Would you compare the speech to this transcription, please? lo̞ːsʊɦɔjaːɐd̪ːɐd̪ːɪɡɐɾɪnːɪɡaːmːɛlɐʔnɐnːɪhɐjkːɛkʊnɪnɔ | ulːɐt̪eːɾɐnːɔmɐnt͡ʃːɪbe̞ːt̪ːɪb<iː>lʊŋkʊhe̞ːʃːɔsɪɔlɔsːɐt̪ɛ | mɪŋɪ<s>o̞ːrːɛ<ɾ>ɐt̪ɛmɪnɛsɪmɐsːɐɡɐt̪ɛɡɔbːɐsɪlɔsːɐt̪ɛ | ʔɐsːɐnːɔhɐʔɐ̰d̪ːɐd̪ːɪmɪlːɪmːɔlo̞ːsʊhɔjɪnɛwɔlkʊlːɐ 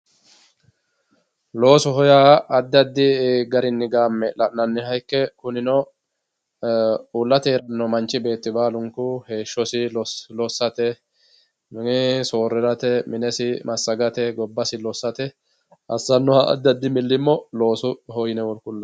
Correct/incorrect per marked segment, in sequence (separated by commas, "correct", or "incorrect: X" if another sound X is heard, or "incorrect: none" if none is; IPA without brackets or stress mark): incorrect: aː, correct, correct